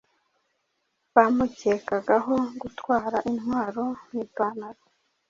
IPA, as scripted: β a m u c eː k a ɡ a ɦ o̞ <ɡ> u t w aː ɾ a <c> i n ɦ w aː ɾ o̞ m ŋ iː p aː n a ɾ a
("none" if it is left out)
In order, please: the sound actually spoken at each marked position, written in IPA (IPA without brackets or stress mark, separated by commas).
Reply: ɡ, ʔ